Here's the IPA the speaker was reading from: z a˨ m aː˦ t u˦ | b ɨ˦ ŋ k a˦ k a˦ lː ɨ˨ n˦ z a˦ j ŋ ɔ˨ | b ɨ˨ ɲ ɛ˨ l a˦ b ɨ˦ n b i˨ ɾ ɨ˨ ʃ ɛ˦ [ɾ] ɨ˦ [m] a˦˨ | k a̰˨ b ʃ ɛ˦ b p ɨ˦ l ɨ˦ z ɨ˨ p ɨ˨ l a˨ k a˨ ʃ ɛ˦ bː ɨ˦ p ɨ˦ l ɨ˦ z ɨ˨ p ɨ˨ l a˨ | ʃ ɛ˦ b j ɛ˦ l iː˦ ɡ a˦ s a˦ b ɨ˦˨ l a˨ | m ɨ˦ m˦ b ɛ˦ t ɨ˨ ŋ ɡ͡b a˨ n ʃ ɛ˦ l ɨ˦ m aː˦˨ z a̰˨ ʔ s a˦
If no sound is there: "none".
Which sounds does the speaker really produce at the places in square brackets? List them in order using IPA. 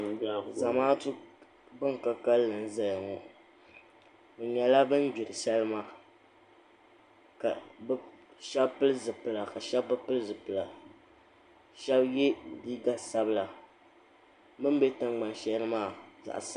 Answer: l, m

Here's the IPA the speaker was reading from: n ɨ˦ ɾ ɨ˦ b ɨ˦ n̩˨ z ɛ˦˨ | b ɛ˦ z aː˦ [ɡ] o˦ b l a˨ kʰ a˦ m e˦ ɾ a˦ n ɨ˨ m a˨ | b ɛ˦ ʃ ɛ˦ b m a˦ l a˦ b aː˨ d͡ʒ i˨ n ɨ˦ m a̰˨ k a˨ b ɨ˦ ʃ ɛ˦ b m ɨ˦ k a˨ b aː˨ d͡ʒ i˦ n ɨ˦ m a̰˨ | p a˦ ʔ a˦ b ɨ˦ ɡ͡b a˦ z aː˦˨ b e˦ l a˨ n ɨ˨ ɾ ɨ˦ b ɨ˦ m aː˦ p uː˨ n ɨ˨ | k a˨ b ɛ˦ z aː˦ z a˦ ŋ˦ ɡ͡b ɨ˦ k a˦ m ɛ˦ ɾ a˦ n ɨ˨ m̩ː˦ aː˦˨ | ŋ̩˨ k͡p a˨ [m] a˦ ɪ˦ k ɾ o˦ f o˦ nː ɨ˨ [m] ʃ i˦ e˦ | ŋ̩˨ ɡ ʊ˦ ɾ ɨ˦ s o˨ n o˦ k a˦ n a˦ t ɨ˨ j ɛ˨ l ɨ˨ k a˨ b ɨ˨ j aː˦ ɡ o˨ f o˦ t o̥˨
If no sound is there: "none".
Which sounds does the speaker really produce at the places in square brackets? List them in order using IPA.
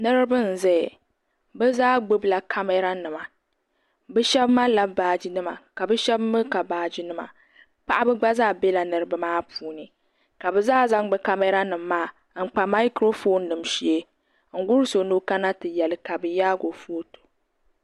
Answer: ɡ͡b, m, m

